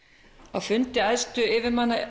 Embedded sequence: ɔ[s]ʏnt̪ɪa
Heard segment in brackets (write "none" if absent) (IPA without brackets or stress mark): f